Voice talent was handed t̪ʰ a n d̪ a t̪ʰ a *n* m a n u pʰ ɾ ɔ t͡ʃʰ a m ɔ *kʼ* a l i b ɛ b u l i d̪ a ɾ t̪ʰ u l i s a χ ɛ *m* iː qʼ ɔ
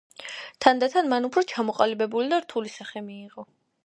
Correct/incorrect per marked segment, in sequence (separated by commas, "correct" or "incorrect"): correct, incorrect, correct